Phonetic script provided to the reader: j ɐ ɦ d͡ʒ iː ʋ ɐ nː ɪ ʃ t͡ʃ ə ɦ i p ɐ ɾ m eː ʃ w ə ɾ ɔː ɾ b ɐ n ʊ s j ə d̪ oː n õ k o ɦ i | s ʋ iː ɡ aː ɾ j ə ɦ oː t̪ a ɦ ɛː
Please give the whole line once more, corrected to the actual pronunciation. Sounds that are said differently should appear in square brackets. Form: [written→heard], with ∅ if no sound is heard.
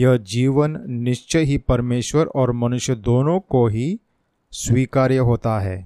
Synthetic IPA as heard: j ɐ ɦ d͡ʒ iː ʋ [ɐ→ə] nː ɪ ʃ t͡ʃ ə ɦ i p ɐ ɾ m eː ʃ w ə ɾ ɔː ɾ [b→m] ɐ n ʊ [s→ʃ] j ə d̪ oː n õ k o ɦ i | s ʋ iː [ɡ→k] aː ɾ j ə ɦ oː t̪ a ɦ ɛː